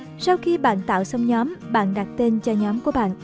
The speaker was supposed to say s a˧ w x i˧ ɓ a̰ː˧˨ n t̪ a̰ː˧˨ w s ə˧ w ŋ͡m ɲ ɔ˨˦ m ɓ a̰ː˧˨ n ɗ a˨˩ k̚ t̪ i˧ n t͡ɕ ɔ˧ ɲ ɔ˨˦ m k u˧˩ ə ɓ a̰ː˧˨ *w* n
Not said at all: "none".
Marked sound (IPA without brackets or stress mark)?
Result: none